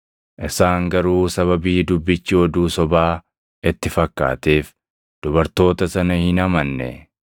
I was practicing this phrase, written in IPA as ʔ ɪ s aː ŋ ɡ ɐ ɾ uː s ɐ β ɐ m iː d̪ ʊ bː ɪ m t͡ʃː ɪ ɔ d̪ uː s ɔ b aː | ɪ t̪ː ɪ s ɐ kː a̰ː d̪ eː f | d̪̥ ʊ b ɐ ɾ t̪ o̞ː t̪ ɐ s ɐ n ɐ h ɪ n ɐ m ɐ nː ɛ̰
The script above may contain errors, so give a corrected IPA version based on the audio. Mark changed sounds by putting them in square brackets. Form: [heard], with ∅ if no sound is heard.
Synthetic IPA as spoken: ʔ ɪ s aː ŋ ɡ ɐ ɾ uː s ɐ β ɐ [b] iː d̪ ʊ bː ɪ [∅] t͡ʃː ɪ ɔ d̪ uː s ɔ b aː | ɪ t̪ː ɪ [f] ɐ kː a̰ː [t̪] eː f | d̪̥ ʊ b ɐ ɾ t̪ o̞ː t̪ ɐ s ɐ n ɐ h ɪ n ɐ m ɐ nː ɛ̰